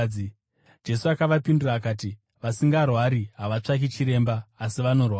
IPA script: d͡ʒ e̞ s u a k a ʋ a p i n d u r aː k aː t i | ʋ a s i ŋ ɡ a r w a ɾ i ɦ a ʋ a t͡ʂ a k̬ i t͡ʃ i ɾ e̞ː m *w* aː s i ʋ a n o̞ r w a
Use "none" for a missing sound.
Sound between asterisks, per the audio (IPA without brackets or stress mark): b